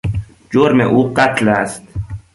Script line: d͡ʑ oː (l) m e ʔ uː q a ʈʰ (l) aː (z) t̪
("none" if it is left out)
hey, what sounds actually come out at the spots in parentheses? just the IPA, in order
ɾ, l, s

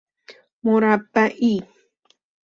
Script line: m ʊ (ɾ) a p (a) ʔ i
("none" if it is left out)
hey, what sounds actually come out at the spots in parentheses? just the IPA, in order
ɾ, a

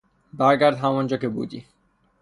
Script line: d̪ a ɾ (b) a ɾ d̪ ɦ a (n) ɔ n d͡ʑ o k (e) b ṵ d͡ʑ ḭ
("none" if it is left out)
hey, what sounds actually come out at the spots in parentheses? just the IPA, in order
ɡ, m, e

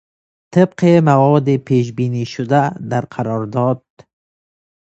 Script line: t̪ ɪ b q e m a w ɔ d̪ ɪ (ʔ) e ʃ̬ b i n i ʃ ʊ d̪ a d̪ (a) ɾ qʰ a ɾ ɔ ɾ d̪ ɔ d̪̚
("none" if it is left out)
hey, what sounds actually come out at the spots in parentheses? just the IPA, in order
p, a

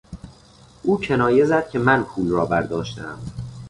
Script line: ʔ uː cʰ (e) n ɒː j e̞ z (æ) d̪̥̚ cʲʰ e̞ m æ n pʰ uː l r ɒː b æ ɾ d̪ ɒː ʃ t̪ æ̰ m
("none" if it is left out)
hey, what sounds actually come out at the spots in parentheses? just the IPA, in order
e, æ

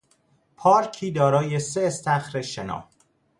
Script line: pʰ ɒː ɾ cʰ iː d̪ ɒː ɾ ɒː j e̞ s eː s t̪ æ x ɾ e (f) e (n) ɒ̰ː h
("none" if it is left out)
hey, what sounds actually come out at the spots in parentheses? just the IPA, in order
ʃ, n

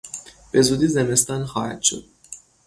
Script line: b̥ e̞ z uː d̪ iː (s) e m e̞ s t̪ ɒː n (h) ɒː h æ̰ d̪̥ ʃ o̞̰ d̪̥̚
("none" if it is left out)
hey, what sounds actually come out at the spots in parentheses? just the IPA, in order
z, x

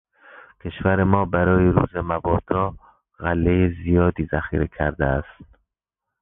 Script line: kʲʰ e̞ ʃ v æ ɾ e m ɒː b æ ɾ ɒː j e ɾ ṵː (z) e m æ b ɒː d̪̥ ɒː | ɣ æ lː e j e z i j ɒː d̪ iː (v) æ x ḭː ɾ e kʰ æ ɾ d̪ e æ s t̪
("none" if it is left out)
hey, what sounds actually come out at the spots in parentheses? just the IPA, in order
z, z

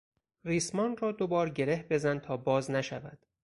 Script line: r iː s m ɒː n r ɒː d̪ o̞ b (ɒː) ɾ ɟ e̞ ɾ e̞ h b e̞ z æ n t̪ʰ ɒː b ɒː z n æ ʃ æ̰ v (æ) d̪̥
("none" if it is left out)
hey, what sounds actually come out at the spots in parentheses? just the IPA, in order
ɒː, æ

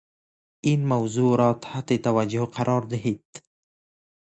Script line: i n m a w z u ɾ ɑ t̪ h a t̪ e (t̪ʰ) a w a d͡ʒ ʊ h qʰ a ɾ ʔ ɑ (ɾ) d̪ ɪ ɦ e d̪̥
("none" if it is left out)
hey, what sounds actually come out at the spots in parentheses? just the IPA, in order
t̪, ɾ

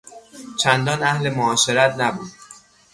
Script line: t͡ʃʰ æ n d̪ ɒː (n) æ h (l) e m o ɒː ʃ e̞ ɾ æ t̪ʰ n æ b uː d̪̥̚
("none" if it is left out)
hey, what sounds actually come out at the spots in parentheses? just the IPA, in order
n, l

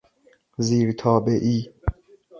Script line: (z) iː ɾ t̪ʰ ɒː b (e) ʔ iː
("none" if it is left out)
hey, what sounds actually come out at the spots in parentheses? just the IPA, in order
z, e

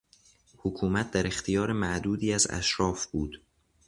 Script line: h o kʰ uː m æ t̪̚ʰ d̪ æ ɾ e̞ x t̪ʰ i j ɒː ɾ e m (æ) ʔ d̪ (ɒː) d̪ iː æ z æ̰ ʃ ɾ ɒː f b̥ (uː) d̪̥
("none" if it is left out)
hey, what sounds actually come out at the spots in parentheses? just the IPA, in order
æ, uː, uː

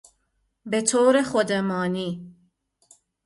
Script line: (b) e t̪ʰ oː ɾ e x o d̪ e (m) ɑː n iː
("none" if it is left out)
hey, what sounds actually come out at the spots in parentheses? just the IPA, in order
b, m

